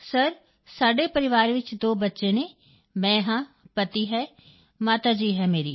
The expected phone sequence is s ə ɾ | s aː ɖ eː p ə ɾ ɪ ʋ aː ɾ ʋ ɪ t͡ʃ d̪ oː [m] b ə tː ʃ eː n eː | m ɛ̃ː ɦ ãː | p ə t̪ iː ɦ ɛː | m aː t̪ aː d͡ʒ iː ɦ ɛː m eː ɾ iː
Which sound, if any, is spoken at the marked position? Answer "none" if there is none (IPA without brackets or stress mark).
none